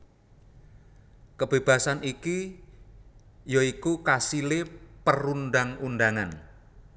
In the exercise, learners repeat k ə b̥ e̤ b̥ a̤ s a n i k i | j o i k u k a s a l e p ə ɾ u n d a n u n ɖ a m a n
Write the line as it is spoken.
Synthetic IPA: k ə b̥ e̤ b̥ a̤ s a n i k i | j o i k u k a s i l e p ə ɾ u n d a ŋ u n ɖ a ŋ a n